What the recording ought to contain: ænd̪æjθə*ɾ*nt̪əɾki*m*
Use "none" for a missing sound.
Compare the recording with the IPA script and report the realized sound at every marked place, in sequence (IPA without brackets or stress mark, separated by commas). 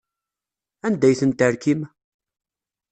none, m